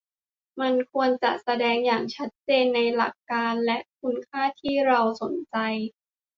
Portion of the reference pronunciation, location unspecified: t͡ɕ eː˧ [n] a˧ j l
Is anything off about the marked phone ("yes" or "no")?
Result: yes